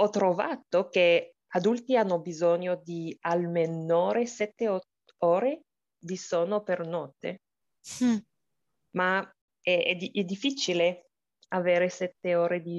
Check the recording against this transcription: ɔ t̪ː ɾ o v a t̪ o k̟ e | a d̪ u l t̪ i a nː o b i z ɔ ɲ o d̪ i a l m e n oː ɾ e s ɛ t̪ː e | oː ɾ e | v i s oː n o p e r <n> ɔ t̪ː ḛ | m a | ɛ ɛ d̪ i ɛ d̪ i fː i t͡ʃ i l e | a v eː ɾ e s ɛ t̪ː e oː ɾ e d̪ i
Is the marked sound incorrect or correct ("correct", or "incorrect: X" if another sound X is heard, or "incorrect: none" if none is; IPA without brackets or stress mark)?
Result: correct